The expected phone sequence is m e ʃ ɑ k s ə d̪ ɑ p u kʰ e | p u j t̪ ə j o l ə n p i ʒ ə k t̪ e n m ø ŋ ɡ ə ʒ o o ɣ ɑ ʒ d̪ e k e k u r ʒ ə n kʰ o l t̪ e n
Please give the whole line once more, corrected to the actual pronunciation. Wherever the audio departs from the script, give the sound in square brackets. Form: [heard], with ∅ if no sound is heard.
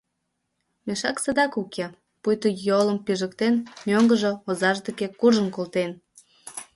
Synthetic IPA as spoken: m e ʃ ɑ k s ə d̪ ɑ [k] u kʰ e | p u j t̪ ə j o l ə [m] p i ʒ ə k t̪ e n m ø ŋ ɡ ə ʒ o o [z] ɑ ʒ d̪ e k e k u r ʒ ə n [k] o l t̪ e n